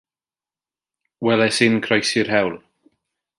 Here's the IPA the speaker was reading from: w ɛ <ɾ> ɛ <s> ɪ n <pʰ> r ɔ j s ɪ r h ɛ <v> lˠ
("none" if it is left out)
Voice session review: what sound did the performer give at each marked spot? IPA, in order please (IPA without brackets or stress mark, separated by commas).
l, s, kʰ, w